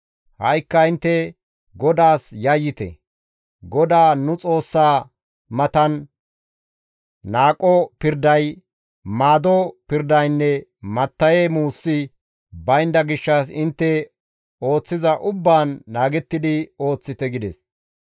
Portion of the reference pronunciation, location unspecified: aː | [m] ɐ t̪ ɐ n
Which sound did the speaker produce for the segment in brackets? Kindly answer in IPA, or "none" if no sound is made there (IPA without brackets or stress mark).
m